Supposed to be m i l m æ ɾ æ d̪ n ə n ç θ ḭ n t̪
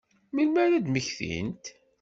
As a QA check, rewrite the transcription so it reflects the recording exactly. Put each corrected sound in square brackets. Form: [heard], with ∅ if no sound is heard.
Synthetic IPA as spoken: m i l m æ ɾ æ d̪ [m] ə [∅] ç θ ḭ n t̪